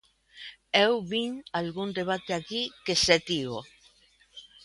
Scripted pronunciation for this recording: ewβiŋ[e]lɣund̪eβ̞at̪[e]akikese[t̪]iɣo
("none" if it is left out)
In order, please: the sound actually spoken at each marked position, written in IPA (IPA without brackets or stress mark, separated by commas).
a, e, t̪